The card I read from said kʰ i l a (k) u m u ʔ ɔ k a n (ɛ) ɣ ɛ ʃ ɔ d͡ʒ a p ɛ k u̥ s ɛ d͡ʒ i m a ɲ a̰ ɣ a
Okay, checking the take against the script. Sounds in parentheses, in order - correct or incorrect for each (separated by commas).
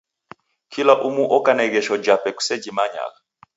incorrect, correct